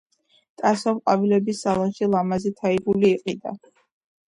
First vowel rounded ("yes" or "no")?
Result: no